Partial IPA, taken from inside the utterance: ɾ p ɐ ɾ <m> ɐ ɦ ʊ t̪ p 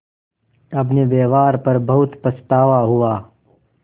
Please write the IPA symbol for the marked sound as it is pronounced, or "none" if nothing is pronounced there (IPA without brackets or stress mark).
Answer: b